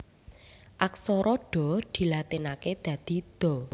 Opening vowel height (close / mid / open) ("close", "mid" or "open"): open